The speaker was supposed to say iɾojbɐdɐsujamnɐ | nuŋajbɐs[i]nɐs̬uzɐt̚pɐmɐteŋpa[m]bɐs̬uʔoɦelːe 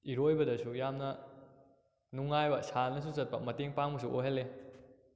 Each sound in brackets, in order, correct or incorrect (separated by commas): incorrect, incorrect